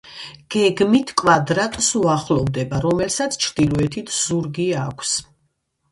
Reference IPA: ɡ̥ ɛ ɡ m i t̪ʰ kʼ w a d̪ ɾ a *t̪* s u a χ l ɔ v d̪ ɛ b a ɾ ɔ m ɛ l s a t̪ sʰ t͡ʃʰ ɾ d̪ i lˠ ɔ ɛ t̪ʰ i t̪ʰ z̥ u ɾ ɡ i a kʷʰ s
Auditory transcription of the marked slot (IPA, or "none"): t̪ʼ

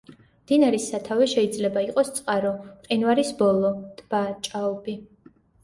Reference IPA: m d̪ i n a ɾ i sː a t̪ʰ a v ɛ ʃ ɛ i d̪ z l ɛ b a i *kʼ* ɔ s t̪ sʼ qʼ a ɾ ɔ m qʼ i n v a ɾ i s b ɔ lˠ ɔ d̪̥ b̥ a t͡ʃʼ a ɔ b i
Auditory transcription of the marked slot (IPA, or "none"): qʼ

